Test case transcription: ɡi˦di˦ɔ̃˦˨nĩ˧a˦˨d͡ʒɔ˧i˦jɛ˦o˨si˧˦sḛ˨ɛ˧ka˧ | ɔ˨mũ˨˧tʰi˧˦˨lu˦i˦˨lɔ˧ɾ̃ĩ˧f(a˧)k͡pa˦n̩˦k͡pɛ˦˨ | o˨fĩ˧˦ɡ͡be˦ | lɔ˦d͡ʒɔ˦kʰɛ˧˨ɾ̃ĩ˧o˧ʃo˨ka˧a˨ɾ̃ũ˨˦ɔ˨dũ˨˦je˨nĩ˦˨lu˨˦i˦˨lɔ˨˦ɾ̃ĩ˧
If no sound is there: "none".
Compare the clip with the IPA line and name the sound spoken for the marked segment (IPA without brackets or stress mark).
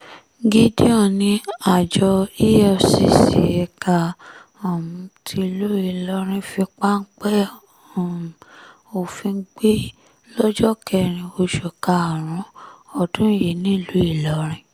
i˧